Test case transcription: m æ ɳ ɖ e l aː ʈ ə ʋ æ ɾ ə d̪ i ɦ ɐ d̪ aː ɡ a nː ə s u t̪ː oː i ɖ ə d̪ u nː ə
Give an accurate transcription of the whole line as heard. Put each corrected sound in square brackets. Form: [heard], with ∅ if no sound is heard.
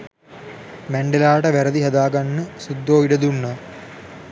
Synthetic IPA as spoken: m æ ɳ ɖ e l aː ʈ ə ʋ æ ɾ ə d̪ i ɦ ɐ d̪ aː ɡ a nː ə s u [d̪ː] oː i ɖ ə d̪ u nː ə